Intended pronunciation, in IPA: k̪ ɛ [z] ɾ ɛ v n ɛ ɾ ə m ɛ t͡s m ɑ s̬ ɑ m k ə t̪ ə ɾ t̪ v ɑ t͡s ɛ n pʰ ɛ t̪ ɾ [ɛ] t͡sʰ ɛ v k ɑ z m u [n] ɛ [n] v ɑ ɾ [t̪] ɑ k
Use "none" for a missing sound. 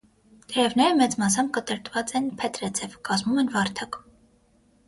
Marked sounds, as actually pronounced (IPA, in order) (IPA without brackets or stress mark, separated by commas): none, ɛ, m, n, t̪ʰ